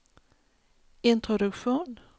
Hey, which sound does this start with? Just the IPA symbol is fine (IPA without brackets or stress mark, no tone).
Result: ɪ